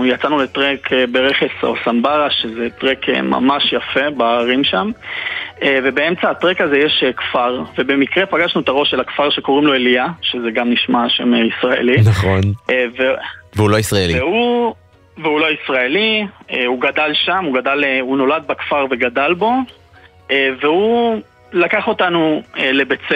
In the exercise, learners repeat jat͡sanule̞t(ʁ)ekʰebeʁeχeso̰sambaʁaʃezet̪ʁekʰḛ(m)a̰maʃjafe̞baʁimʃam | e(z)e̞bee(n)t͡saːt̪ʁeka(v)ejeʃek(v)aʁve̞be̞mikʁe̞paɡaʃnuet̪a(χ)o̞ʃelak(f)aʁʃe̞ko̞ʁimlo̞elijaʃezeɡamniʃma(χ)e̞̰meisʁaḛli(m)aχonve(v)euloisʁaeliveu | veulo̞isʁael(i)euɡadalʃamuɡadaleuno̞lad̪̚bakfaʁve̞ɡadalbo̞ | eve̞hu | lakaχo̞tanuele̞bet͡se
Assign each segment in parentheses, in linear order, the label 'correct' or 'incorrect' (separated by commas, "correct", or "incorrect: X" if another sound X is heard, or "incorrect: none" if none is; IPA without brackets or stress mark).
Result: correct, correct, incorrect: v, incorrect: m, incorrect: z, incorrect: f, incorrect: ʁ, correct, incorrect: ʃ, incorrect: n, correct, correct